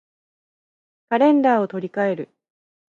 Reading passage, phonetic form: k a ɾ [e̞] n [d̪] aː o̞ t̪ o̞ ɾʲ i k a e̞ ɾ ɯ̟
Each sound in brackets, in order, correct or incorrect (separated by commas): incorrect, correct